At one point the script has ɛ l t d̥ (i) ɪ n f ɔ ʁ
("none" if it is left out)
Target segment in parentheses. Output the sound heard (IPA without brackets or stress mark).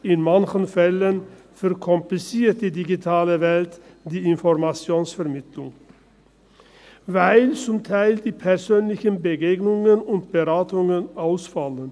iː